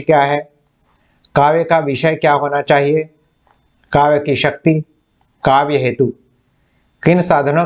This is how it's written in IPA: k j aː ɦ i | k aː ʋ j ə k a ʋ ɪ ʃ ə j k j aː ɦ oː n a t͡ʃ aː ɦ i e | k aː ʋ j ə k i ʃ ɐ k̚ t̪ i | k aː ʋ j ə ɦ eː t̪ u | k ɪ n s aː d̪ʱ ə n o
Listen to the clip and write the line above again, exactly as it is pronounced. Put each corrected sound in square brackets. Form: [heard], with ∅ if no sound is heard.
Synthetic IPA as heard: k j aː ɦ [ɛ] | k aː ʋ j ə k a ʋ ɪ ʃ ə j k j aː ɦ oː n a t͡ʃ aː ɦ i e | k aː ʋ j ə k i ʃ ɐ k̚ t̪ i | k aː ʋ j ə ɦ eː t̪ u | k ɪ n s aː d̪ʱ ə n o